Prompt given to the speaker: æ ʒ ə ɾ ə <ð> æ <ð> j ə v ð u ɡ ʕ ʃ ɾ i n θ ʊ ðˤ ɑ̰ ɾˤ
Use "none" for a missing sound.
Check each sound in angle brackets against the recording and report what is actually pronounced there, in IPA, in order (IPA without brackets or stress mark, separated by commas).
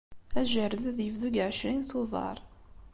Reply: ð, ð